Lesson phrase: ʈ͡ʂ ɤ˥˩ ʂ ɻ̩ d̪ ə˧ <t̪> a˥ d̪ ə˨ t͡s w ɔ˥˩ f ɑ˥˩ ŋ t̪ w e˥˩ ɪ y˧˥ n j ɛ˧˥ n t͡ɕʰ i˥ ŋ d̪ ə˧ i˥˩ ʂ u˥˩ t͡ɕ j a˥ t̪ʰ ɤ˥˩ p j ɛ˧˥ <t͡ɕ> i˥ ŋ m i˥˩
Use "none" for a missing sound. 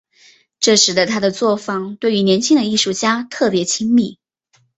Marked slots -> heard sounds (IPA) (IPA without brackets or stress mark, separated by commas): t̪ʰ, t͡ɕʰ